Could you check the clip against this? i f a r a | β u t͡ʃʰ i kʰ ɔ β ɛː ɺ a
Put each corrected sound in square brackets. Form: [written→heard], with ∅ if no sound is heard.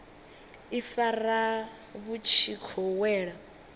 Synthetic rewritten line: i f a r a | β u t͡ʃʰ i kʰ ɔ [β→w] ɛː ɺ a